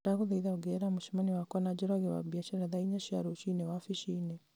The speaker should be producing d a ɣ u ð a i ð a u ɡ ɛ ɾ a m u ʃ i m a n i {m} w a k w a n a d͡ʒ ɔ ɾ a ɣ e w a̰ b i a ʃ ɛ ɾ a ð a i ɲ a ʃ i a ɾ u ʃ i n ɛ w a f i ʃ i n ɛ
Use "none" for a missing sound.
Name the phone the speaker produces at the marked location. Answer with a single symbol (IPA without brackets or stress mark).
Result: none